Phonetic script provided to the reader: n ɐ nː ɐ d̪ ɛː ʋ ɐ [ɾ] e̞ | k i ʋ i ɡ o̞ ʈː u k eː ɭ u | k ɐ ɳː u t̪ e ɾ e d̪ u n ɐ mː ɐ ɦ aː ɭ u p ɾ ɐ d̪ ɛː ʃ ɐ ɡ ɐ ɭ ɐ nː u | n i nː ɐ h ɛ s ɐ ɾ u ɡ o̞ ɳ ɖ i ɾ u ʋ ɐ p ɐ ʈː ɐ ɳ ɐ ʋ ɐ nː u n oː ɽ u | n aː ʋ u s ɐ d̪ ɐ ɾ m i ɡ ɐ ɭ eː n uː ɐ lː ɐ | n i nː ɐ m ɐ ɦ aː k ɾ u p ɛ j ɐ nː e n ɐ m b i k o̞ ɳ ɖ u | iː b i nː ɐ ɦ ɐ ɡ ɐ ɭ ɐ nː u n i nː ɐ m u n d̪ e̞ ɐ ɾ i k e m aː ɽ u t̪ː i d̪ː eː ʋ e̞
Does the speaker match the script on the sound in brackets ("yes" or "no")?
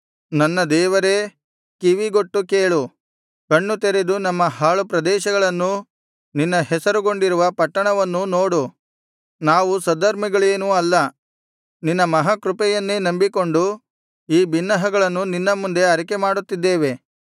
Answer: yes